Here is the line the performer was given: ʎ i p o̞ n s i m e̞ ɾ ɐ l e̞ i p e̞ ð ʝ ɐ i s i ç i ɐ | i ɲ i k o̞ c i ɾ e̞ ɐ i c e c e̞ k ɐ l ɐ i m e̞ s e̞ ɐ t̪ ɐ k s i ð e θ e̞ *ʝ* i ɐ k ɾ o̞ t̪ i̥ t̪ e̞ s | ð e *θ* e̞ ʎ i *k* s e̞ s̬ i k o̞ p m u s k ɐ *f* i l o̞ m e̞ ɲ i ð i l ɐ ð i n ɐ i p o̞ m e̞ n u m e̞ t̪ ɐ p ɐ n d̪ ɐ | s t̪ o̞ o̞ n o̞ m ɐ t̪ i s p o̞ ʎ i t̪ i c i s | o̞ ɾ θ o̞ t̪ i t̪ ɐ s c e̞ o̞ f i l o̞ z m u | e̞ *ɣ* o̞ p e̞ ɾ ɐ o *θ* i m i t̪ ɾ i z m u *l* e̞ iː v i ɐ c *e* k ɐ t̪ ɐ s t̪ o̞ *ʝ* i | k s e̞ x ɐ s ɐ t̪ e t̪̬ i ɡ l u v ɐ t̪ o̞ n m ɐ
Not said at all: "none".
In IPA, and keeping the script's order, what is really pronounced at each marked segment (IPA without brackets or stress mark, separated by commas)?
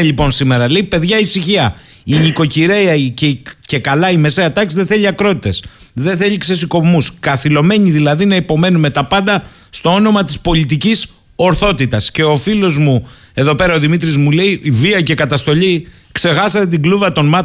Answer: ʎ, θ, k, θ, ð, ð, l, e, ʎ